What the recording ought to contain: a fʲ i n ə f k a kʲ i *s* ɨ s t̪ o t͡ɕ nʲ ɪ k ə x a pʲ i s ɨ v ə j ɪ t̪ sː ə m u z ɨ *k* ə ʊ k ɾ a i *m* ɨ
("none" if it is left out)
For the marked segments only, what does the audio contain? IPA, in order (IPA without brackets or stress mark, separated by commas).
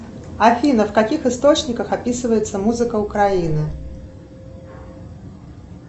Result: x, k, n